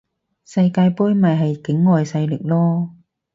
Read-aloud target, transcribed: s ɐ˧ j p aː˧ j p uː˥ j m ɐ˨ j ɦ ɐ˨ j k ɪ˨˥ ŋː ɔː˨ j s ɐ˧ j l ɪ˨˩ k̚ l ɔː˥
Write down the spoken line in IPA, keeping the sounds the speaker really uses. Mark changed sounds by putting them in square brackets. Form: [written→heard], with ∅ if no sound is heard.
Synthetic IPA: s ɐ˧ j [p→k] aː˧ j p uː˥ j m ɐ˨ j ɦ ɐ˨ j k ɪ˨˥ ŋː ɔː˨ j s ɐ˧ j l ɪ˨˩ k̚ l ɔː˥